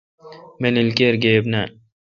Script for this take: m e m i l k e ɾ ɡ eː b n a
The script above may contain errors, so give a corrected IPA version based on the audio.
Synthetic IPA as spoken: m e n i l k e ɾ ɡ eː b n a